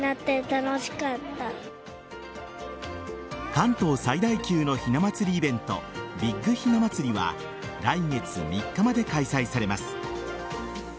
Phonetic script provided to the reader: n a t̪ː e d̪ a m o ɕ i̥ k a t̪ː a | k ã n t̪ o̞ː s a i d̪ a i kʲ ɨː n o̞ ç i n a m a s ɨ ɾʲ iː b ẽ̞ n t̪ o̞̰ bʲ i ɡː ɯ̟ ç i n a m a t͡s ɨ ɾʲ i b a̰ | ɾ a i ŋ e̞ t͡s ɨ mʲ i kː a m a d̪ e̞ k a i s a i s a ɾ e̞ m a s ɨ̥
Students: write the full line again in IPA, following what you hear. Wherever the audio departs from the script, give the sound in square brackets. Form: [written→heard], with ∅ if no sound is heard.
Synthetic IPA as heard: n a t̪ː e [d̪→t̪] a [m→n] o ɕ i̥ k a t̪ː a | k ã n t̪ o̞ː s a i d̪ a i kʲ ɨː n o̞ ç i n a m a [s→t͡s] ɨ ɾʲ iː b ẽ̞ n t̪ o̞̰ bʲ i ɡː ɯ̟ ç i n a m a t͡s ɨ ɾʲ i [b→β] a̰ | ɾ a i ŋ e̞ t͡s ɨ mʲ i kː a m a d̪ e̞ k a i s a i s a ɾ e̞ m a s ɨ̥